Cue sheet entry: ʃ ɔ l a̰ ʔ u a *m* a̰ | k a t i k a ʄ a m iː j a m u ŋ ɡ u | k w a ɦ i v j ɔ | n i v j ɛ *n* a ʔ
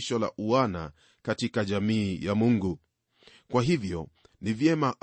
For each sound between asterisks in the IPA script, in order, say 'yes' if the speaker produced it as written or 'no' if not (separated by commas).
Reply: no, no